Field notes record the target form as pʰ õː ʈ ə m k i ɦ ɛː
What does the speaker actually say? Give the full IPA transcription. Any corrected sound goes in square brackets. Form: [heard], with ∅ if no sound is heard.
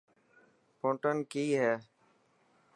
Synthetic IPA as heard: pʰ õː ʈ ə [n] k [iː] ɦ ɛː